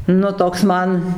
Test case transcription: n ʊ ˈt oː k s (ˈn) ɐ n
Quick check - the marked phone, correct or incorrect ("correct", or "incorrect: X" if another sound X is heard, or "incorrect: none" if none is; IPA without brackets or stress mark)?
incorrect: m